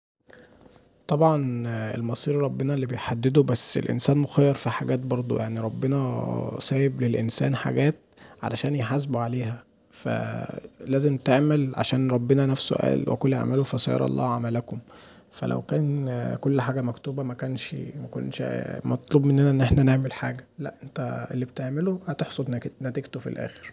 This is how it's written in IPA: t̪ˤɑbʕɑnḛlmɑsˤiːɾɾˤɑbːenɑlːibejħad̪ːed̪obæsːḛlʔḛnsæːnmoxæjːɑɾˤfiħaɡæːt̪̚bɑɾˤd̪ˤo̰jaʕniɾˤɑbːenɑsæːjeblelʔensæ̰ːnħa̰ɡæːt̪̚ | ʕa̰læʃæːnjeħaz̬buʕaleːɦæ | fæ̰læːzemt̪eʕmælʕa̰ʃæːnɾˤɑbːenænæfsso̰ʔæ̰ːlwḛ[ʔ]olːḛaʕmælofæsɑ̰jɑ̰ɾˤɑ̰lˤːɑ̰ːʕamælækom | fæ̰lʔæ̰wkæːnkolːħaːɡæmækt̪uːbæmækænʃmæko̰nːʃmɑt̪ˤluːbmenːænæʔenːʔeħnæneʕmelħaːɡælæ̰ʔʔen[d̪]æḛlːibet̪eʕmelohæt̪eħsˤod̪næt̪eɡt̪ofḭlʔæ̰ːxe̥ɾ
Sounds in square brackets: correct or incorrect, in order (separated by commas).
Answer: incorrect, incorrect